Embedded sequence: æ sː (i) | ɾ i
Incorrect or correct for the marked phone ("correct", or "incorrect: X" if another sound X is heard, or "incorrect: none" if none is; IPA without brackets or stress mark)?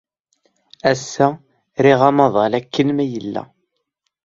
incorrect: æ